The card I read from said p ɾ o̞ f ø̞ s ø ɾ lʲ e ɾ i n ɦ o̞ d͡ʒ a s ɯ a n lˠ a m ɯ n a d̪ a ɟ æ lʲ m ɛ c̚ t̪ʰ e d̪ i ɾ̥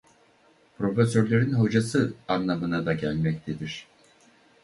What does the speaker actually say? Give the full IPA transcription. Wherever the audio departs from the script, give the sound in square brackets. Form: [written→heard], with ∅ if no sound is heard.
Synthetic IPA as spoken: p ɾ o̞ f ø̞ s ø ɾ lʲ e ɾ i n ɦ o̞ d͡ʒ a s ɯ a n lˠ a m ɯ n a d̪ a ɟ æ lʲ m ɛ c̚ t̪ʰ e d̪ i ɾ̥